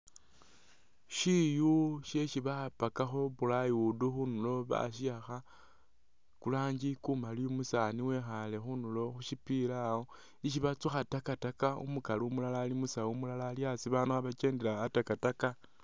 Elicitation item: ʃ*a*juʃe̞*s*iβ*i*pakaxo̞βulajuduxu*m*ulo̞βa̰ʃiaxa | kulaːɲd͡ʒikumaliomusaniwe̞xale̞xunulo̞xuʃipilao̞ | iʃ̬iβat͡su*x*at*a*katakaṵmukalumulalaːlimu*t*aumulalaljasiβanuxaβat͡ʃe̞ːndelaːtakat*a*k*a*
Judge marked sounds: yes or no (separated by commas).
no, no, no, no, yes, yes, no, yes, yes